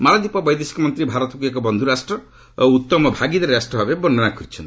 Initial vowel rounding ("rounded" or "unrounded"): unrounded